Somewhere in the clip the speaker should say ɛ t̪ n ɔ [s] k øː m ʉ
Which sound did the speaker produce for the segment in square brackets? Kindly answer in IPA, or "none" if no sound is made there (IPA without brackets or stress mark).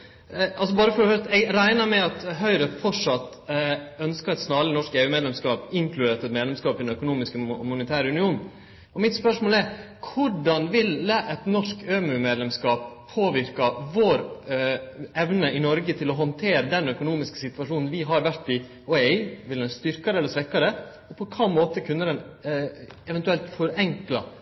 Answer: ʂ